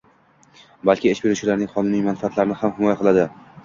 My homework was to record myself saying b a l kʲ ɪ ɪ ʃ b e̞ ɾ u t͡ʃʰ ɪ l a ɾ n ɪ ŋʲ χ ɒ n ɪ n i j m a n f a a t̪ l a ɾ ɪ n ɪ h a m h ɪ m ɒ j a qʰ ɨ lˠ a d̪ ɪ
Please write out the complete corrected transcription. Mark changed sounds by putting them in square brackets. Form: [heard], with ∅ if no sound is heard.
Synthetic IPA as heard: b a l kʲ ɪ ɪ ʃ b e̞ ɾ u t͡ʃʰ ɪ l a ɾ n ɪ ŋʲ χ ɒ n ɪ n i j m a n f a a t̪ l a ɾ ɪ n ɪ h a m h ɪ m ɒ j a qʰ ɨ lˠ a d̪ ɪ